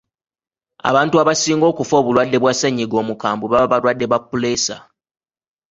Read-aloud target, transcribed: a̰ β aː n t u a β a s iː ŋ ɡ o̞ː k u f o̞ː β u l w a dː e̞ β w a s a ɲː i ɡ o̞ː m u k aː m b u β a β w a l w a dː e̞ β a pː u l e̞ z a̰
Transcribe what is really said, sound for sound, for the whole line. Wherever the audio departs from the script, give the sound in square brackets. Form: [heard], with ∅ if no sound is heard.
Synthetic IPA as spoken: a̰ β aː n t u a β a s iː ŋ ɡ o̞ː k u f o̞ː β u l w a dː e̞ β w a s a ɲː i ɡ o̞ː m u k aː m b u β a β [β] a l w a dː e̞ β a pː u l e̞ [s] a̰